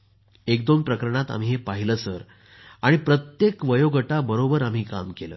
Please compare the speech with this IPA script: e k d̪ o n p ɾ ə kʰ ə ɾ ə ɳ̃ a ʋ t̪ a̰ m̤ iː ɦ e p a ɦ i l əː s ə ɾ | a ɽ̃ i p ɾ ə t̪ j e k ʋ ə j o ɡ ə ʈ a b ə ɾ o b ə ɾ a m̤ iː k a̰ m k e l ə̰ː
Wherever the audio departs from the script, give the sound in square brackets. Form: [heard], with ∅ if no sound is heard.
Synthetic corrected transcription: e k d̪ o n p ɾ ə [k] ə ɾ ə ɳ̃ a [∅] t̪ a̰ m̤ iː ɦ e p a ɦ i l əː s ə ɾ | a ɽ̃ i p ɾ ə t̪ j e k ʋ ə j o ɡ ə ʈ a b ə ɾ o b ə ɾ a m̤ iː k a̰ m k e l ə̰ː